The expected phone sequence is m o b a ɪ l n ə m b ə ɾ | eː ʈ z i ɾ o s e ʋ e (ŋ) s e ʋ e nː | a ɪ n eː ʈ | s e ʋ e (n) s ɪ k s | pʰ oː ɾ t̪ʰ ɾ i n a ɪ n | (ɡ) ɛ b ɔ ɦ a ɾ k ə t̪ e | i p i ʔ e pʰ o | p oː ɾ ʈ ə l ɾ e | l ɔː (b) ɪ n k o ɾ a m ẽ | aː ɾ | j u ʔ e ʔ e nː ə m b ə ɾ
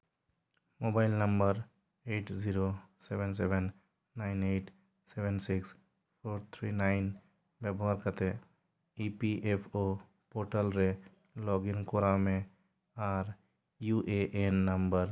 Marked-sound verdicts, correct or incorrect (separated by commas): incorrect, correct, incorrect, incorrect